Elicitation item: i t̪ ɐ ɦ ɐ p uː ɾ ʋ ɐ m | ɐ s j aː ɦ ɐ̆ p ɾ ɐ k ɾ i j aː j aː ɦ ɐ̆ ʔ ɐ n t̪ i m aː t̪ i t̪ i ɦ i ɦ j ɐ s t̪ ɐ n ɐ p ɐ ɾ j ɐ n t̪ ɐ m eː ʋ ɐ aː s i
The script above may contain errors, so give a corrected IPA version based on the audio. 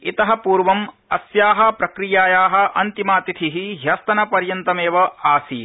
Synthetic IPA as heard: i t̪ ɐ ɦ ɐ p uː ɾ ʋ ɐ m | ɐ s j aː ɦ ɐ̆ p ɾ ɐ k ɾ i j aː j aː ɦ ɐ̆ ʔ ɐ n t̪ i m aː t̪ i t̪ʰ i ɦ i ɦ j ɐ s t̪ ɐ n ɐ p ɐ ɾ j ɐ n t̪ ɐ m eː ʋ ɐ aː s i